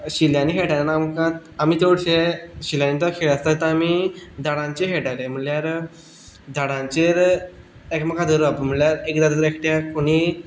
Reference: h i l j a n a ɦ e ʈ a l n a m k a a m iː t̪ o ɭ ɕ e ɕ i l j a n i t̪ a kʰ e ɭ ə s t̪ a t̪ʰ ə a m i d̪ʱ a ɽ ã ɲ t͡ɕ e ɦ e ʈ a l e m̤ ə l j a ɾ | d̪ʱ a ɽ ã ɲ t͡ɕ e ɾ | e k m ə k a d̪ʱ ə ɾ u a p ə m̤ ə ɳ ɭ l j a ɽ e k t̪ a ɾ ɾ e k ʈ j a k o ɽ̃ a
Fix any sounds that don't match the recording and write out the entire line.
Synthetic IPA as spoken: ɕ i l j a n i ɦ e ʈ a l n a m k a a m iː t̪ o ɽ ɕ e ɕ i l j a n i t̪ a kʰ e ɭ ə s t̪ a t̪ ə a m i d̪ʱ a ɽ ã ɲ t͡ɕ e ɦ e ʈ a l e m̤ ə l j a ɾ | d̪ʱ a ɽ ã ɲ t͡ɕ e ɾ | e k m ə k a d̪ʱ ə ɾ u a p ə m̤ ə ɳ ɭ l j a ɾ e k d̪ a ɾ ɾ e k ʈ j a k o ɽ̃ i